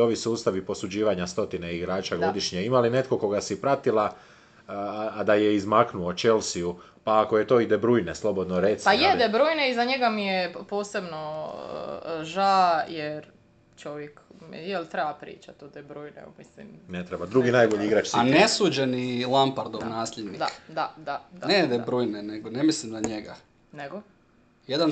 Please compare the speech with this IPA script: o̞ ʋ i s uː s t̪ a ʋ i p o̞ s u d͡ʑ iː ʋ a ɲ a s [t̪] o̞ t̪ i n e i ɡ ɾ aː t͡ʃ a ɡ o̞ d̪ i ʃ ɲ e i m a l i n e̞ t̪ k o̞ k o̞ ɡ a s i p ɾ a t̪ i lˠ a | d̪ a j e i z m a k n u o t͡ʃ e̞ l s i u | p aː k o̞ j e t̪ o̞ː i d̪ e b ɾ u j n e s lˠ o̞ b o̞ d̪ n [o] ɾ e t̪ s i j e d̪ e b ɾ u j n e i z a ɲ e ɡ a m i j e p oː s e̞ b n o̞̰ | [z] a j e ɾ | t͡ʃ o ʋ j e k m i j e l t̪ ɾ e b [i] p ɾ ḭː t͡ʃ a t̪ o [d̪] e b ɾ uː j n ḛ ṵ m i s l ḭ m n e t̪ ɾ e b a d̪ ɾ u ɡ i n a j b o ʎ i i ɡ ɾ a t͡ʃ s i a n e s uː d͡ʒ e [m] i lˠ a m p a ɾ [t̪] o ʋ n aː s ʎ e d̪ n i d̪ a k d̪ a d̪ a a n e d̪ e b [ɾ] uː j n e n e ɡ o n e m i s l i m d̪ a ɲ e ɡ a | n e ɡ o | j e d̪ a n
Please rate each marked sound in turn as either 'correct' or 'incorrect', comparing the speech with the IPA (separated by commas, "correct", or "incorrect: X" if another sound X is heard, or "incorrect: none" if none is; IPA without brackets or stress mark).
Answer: correct, correct, incorrect: ʒ, incorrect: a, correct, incorrect: n, incorrect: d̪, correct